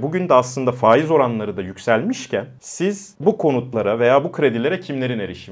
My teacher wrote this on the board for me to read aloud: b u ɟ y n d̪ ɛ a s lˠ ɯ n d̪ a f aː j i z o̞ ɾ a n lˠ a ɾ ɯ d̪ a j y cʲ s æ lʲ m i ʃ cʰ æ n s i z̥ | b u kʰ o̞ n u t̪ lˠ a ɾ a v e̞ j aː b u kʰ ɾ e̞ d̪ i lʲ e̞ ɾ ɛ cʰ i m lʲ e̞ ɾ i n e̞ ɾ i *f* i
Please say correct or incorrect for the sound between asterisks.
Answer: incorrect